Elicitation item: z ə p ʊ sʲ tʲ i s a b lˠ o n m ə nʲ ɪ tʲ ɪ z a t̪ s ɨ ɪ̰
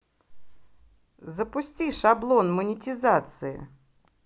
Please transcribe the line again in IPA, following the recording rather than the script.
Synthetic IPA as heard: z ə p ʊ sʲ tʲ i ʂ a b lˠ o n m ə nʲ ɪ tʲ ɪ z a t̪ s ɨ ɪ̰